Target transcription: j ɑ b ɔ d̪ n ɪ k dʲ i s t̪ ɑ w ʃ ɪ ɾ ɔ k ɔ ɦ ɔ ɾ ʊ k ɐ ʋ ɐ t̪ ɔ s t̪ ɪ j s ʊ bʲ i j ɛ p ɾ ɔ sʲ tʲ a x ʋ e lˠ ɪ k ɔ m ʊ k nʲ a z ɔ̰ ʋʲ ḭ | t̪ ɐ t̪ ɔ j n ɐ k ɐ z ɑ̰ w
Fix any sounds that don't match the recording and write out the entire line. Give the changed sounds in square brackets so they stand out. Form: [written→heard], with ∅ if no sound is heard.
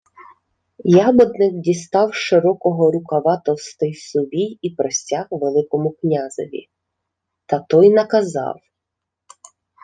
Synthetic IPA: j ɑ b ɔ d̪ n ɪ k dʲ i s t̪ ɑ w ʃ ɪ ɾ ɔ k ɔ ɦ ɔ ɾ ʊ k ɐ ʋ [ɐ→ɑ] t̪ ɔ s t̪ ɪ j s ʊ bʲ i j [ɛ→i] p ɾ ɔ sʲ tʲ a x ʋ e lˠ ɪ k ɔ m ʊ k nʲ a z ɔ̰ ʋʲ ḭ | t̪ ɐ t̪ ɔ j n ɐ k ɐ z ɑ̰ w

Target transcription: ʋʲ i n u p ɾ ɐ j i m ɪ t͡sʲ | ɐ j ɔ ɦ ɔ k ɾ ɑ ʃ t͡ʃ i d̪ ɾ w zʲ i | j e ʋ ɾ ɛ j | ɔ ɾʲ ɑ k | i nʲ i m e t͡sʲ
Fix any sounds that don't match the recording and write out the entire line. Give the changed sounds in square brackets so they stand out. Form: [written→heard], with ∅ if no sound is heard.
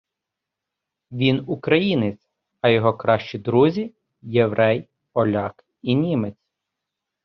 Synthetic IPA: ʋʲ i n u [p→k] ɾ ɐ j i [m→n] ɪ t͡sʲ | ɐ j ɔ ɦ ɔ k ɾ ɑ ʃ t͡ʃ i d̪ ɾ [w→u] zʲ i | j e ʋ ɾ ɛ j | ɔ [ɾʲ→lʲ] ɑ k | i nʲ i m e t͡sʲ

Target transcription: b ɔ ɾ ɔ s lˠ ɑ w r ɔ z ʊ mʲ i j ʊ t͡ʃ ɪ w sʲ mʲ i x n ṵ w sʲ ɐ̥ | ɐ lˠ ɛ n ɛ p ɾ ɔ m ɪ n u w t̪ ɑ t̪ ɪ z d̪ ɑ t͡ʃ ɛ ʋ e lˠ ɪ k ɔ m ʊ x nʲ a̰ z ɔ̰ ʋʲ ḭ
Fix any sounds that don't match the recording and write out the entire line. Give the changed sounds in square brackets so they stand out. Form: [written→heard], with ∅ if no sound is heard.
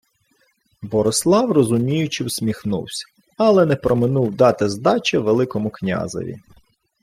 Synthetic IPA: b ɔ ɾ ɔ s lˠ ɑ w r ɔ z ʊ mʲ i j ʊ t͡ʃ ɪ w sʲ mʲ i x n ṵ w sʲ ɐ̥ | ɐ lˠ ɛ n ɛ p ɾ ɔ m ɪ n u w [t̪→d̪] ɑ t̪ ɪ z d̪ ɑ t͡ʃ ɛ ʋ e lˠ ɪ k ɔ m ʊ [x→k] nʲ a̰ z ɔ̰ ʋʲ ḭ

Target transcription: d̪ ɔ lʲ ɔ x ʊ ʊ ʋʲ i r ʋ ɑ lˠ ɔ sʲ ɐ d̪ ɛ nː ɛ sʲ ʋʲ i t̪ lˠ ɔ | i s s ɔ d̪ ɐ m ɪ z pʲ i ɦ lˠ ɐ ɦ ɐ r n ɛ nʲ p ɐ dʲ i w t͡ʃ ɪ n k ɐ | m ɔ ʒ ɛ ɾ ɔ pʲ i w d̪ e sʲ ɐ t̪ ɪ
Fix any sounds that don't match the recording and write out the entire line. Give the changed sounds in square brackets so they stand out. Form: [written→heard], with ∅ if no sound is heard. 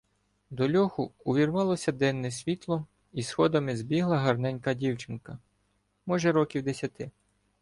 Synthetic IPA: d̪ ɔ lʲ ɔ x ʊ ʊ ʋʲ i r ʋ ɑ lˠ ɔ sʲ ɐ d̪ ɛ nː ɛ sʲ ʋʲ i t̪ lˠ ɔ | i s [s→x] ɔ d̪ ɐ m ɪ z [pʲ→bʲ] i ɦ lˠ ɐ ɦ ɐ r n ɛ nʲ [p→k] ɐ dʲ i w t͡ʃ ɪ n k ɐ | m ɔ ʒ ɛ ɾ ɔ [pʲ→kʲ] i w d̪ e sʲ ɐ t̪ ɪ

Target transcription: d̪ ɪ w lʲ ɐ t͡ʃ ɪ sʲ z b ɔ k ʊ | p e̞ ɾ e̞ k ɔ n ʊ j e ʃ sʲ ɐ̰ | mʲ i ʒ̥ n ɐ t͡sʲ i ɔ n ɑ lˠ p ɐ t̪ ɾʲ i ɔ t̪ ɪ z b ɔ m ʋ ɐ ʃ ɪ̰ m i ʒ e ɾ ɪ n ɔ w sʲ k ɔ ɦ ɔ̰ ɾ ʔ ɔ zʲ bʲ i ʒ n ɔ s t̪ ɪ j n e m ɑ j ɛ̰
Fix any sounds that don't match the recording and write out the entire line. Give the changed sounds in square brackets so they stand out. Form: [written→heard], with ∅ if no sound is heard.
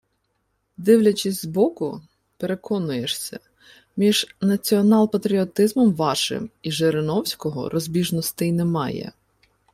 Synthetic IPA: d̪ ɪ w lʲ ɐ t͡ʃ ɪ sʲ z b ɔ k ʊ | p e̞ ɾ e̞ k ɔ n ʊ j e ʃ sʲ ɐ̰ | mʲ i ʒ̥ n ɐ t͡sʲ i ɔ n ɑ lˠ p ɐ t̪ ɾʲ i ɔ t̪ ɪ z [b→m] ɔ m ʋ [ɐ→ɑ] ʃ ɪ̰ m i ʒ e ɾ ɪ n ɔ w sʲ k ɔ ɦ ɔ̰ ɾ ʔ ɔ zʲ bʲ i ʒ n ɔ s t̪ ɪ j n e m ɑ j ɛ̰

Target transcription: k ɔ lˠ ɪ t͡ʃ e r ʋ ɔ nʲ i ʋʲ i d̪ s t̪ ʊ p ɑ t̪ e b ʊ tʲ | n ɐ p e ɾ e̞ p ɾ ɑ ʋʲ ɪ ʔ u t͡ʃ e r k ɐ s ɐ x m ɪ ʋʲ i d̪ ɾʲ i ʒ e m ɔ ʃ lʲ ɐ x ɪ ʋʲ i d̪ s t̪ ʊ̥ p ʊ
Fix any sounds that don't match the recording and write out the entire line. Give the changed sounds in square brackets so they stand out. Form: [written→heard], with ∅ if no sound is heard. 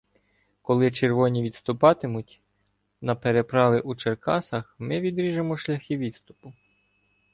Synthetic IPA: k ɔ lˠ ɪ t͡ʃ e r ʋ ɔ nʲ i ʋʲ i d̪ s t̪ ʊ p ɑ t̪ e [b→m] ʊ tʲ | n ɐ p e ɾ e̞ p ɾ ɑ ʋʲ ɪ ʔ u t͡ʃ e r k [ɐ→ɑ] s ɐ x m ɪ ʋʲ i d̪ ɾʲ i ʒ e m ɔ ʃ lʲ ɐ x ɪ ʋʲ i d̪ s t̪ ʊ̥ p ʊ

